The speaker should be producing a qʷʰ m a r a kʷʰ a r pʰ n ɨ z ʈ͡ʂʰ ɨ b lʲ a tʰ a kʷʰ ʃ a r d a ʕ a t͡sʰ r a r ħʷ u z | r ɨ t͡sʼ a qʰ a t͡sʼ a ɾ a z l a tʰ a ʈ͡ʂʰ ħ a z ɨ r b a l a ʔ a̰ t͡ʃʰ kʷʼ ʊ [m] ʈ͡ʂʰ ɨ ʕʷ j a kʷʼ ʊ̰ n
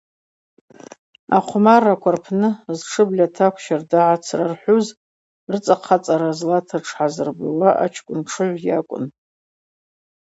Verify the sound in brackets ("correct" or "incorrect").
incorrect